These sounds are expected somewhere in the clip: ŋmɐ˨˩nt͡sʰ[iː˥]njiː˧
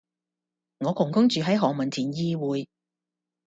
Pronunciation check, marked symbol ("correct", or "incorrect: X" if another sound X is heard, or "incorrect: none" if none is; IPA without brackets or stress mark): incorrect: iː˨˩